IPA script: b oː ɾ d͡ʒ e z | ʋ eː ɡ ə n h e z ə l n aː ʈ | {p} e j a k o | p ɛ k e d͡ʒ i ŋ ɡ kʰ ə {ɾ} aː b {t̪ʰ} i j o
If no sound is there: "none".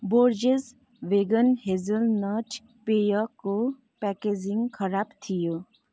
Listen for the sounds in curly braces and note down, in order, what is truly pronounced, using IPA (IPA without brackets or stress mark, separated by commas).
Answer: p, ɾ, t̪ʰ